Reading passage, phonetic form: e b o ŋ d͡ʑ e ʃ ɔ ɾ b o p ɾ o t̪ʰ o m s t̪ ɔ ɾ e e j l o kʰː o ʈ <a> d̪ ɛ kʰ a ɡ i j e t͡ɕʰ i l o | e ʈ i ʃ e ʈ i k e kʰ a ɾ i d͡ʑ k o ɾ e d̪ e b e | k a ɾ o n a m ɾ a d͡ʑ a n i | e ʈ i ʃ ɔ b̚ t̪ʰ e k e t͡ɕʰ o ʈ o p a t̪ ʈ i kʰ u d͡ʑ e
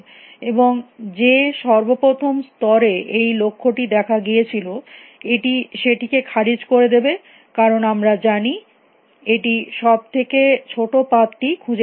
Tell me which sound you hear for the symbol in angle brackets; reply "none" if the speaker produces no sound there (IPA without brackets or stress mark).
i